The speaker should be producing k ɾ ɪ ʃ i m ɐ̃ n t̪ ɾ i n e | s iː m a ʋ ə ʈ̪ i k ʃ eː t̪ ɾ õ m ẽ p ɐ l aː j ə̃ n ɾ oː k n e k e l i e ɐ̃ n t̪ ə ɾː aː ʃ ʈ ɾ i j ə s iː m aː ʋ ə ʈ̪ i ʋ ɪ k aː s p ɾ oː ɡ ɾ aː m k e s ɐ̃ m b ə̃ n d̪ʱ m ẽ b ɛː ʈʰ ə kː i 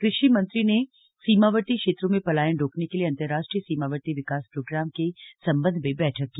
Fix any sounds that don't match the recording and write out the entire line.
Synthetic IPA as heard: k ɾ ɪ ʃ i m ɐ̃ n t̪ ɾ i n e | s iː m a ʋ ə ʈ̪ i k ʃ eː t̪ ɾ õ m ẽ p ɐ l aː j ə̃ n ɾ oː k n e k e l i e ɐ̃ n t̪ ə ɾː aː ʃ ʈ ɾ i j ə s iː m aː ʋ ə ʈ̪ i ʋ ɪ k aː s p ɾ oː ɡ ɾ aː m k e s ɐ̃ m b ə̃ n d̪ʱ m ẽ b ɛː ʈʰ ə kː i